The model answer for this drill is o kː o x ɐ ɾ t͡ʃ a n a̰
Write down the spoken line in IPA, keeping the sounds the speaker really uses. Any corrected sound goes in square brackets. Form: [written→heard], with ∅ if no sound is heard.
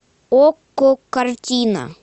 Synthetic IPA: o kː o [x→k] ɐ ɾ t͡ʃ [a→i] n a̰